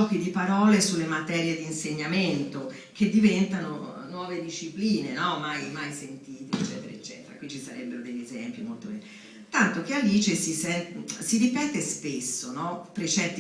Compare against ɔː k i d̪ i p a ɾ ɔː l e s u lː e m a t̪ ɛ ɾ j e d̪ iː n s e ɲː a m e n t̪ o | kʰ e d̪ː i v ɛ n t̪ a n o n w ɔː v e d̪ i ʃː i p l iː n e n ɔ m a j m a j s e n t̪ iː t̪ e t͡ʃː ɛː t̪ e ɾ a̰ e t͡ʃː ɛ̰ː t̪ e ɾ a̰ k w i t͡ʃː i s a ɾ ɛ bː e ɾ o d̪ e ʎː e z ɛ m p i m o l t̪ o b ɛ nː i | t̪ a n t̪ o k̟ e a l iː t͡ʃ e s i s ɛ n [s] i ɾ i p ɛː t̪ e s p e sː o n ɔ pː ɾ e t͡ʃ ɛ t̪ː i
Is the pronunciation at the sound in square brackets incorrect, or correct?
correct